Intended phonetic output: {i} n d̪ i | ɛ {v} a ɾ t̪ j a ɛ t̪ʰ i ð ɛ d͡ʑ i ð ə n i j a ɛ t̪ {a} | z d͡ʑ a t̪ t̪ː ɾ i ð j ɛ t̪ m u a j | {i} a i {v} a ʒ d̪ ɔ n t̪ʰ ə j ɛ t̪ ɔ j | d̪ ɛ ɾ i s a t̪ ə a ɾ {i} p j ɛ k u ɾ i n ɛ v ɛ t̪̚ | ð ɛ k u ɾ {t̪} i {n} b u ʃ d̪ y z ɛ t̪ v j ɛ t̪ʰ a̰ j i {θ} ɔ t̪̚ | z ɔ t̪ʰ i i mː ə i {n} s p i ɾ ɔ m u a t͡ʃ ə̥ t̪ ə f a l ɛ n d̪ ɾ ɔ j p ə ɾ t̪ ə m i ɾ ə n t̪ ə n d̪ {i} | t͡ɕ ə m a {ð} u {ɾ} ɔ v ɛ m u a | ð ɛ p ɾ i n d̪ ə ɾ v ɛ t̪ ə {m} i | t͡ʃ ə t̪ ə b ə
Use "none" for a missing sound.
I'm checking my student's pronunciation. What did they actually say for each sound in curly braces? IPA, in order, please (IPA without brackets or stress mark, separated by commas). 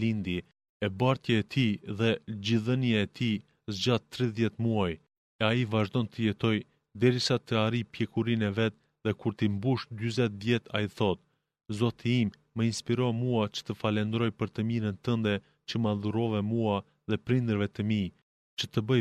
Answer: i, b, i, ɛ, v, i, t̪, m, θ, n, ɛ, ð, ɾ, m